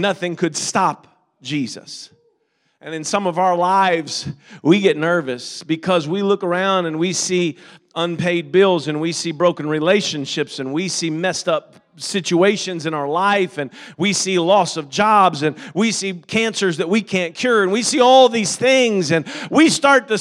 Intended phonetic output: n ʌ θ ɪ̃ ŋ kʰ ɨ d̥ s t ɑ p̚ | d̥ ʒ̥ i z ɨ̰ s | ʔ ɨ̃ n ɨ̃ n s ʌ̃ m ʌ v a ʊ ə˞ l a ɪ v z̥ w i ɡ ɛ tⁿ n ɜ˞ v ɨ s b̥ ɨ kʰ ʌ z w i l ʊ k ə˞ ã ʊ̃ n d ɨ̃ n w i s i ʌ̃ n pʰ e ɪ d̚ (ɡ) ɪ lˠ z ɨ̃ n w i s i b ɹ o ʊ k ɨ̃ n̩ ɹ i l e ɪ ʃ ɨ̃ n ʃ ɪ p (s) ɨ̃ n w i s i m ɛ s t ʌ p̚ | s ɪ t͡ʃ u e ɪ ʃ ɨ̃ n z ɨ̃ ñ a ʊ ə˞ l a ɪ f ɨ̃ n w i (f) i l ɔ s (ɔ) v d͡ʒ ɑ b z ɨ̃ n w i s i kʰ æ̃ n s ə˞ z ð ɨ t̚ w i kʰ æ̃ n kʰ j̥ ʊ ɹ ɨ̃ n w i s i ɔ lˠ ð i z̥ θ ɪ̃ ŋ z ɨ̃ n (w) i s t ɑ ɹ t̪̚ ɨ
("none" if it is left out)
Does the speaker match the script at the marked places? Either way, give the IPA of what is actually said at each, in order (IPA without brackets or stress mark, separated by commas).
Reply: b, s, s, ʌ, w